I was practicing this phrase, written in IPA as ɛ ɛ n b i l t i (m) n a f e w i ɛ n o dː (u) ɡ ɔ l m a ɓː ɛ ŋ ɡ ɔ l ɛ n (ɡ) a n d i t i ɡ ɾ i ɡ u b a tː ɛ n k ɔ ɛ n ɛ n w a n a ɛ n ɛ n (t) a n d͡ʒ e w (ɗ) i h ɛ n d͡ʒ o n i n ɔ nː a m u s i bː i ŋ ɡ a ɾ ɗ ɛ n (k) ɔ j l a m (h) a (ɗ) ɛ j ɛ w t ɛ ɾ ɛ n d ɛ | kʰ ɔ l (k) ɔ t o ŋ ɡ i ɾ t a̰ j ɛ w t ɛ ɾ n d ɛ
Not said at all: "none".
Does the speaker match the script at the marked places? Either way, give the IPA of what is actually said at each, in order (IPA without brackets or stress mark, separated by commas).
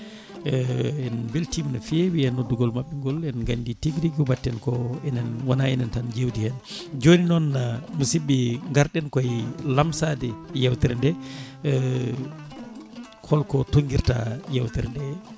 m, u, ɡ, t, d, k, s, d, k